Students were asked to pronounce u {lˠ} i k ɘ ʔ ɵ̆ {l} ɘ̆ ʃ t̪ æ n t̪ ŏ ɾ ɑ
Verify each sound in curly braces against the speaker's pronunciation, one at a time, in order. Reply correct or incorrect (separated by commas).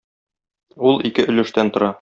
correct, correct